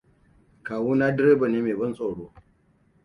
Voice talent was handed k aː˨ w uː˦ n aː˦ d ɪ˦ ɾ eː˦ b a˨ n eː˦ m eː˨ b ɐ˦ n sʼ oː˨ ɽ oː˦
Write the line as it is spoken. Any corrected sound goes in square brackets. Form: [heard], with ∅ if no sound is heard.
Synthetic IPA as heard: k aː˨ w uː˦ n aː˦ d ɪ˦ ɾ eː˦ b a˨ n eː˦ m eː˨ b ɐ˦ n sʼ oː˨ ɽ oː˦